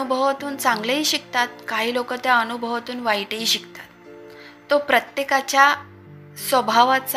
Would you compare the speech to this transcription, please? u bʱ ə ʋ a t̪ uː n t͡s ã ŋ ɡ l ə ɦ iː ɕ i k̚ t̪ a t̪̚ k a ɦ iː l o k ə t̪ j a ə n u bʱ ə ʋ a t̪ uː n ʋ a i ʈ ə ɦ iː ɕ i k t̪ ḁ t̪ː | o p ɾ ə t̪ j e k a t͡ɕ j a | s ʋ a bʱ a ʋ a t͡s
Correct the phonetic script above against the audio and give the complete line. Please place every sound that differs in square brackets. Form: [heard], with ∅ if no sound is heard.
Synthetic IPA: u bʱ ə ʋ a t̪ uː n t͡s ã ŋ ɡ l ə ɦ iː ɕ i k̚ t̪ a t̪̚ k a ɦ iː l o k ə t̪ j a ə n u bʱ ə ʋ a t̪ uː n ʋ a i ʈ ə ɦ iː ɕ i k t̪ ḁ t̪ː | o p ɾ ə t̪ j e k a t͡ɕ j a | s ʋ [ə] bʱ a ʋ a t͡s